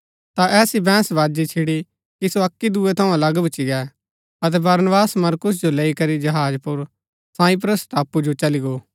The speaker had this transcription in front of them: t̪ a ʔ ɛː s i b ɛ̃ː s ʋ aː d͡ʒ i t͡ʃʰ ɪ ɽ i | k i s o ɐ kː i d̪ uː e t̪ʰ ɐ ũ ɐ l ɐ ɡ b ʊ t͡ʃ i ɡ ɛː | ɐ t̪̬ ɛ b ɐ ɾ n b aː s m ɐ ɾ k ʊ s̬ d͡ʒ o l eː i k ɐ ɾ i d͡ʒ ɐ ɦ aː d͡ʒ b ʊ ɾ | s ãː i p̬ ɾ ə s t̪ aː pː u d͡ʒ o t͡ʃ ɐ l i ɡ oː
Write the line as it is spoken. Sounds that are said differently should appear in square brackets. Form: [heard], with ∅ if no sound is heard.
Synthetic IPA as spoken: t̪ a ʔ ɛː s i b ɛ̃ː s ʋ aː d͡ʒ i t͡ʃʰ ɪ ɽ i | k i s o ɐ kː i d̪ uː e t̪ʰ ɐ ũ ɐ l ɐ ɡ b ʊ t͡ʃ i ɡ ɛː | ɐ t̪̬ ɛ b ɐ ɾ n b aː s m ɐ ɾ k ʊ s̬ d͡ʒ o l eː i k ɐ ɾ i d͡ʒ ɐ ɦ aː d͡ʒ [p] ʊ ɾ | s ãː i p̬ ɾ ə s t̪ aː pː u d͡ʒ o t͡ʃ ɐ l i ɡ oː

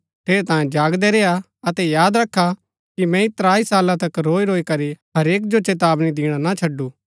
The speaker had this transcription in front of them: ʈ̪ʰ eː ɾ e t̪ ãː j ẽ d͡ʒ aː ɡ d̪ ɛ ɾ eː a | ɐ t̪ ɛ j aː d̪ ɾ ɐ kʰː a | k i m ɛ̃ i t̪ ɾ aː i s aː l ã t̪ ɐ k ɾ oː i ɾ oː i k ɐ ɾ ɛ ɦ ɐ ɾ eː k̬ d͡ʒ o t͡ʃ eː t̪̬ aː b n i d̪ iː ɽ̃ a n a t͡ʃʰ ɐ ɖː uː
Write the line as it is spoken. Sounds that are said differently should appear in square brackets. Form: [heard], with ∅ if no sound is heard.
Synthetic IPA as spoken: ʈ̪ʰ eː ɾ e t̪ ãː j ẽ d͡ʒ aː ɡ d̪ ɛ ɾ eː a | ɐ t̪ ɛ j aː d̪ ɾ ɐ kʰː a | k i m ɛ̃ i t̪ ɾ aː i s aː l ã t̪ ɐ k ɾ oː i ɾ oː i k ɐ ɾ [i] ɦ ɐ ɾ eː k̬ d͡ʒ o t͡ʃ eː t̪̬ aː b n i d̪ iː ɽ̃ a n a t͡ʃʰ ɐ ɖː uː

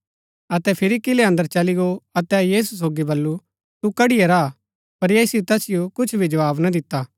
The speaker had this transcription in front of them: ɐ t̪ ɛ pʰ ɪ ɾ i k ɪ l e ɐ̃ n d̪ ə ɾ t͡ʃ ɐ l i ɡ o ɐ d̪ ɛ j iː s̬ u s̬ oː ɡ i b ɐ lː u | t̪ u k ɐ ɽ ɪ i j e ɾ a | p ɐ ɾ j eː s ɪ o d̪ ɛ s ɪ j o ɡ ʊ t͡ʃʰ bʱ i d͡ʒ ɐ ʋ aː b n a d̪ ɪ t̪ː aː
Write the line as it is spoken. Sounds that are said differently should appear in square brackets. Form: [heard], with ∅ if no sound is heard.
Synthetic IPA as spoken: ɐ t̪ ɛ pʰ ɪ ɾ i k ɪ l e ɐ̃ n d̪ ə ɾ t͡ʃ ɐ l i ɡ o ɐ [t̪] ɛ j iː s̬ u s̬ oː ɡ i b ɐ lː u | t̪ u k ɐ ɽ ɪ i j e ɾ a | p ɐ ɾ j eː s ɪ o [t̪] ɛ s ɪ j o [k] ʊ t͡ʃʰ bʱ i d͡ʒ ɐ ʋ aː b n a d̪ ɪ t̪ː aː

